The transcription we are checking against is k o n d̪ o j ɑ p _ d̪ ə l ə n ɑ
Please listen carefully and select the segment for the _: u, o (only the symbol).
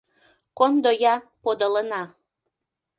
o